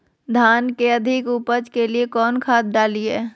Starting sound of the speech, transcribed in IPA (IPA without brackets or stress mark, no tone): d̪ʱ